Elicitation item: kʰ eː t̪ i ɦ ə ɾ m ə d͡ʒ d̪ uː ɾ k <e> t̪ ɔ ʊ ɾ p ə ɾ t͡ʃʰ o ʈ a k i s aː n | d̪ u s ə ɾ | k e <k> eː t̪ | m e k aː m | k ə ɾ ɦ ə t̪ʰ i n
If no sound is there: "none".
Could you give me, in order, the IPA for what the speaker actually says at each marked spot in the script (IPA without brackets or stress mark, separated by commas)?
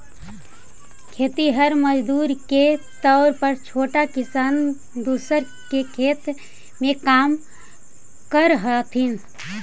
e, kʰ